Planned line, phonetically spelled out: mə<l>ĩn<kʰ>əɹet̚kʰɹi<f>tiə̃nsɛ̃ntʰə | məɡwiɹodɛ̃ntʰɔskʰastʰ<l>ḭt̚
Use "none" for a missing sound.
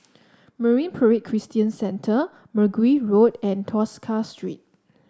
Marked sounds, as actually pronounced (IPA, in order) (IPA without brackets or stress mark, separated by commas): ɹ, pʰ, s, ɹ